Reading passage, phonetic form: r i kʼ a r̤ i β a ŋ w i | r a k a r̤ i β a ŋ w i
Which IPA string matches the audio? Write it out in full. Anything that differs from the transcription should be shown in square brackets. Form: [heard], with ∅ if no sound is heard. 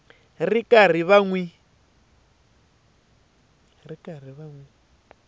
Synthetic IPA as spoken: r i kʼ a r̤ i β a ŋ w i | r [i] k a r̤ i β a ŋ w i

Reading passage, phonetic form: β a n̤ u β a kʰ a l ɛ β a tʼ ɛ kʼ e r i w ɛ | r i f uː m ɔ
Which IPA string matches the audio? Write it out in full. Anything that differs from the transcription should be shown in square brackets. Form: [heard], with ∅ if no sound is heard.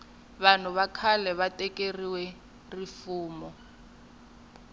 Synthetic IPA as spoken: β a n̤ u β a kʰ a l ɛ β a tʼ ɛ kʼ e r i w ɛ | r i f uː m ɔ

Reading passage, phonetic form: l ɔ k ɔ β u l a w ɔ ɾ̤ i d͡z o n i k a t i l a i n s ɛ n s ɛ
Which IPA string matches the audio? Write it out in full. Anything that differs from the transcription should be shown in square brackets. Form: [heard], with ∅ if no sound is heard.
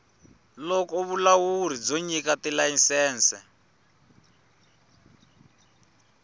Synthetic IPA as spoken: l ɔ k ɔ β u l a w [u] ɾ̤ i d͡z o [ɲ] i k a t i l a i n s [ɛː] n s ɛ

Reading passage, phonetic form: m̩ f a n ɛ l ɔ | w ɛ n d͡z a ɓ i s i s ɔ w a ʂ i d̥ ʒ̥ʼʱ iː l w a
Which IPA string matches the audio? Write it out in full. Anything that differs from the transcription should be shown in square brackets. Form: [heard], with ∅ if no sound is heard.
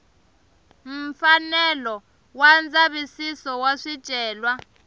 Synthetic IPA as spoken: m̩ f a n ɛ l ɔ | w [a] n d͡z a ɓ i s i s ɔ w a ʂ i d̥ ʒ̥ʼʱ [ɛː] l w a

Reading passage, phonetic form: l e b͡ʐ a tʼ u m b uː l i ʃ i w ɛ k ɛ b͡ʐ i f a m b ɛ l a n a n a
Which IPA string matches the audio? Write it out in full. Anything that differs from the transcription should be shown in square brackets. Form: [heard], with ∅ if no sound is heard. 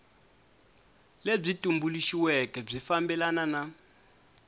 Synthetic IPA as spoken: l e b͡ʐ [i] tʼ u m b [u] l i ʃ i w ɛ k ɛ b͡ʐ i f a m b ɛ l a n a n a

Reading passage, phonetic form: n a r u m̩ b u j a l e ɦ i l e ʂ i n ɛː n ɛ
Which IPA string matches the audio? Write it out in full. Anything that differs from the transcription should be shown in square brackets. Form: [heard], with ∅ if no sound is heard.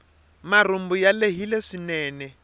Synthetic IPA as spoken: [m] a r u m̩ b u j a l e ɦ i l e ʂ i n ɛː n ɛ

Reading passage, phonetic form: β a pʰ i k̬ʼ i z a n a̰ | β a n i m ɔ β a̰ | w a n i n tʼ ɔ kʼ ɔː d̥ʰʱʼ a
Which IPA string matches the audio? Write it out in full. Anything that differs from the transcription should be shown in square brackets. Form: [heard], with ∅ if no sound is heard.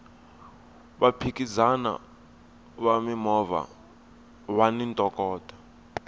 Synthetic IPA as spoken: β a pʰ i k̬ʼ i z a n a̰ | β a [m] i m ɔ [v] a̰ | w a n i n tʼ ɔ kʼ ɔː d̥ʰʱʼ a

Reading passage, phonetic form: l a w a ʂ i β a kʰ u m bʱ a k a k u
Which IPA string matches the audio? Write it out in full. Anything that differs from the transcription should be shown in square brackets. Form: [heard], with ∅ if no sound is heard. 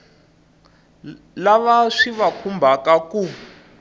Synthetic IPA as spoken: l a [β] a ʂ i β a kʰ u m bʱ a k a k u

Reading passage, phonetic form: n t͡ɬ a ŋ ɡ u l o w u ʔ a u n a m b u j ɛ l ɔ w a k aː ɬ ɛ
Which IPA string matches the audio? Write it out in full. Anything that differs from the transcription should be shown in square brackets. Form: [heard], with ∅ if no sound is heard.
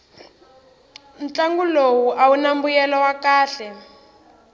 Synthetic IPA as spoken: n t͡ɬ a ŋ ɡ u l o w u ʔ a u n a m b u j ɛ l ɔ w a k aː ɬ ɛ

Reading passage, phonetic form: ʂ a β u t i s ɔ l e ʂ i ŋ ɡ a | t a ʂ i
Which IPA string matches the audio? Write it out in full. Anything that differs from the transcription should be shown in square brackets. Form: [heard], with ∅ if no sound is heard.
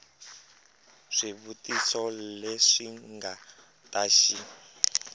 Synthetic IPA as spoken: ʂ [i] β u t i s ɔ l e ʂ i ŋ ɡ a | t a [ʃ] i

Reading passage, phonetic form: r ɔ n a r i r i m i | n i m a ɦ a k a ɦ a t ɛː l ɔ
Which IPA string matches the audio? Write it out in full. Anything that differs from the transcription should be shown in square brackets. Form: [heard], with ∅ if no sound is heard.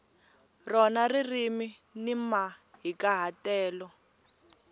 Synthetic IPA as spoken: r ɔ n a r i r i m i | n i m a ɦ [i] k a ɦ a t ɛː l ɔ

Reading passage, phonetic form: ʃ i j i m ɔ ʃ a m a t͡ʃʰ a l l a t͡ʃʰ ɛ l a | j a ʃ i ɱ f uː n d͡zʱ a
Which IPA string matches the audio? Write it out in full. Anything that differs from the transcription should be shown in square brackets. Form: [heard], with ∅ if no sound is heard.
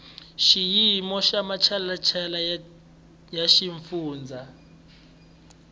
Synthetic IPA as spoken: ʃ i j i m ɔ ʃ a m a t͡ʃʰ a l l a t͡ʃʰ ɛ l a | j a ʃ i ɱ f uː n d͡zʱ a

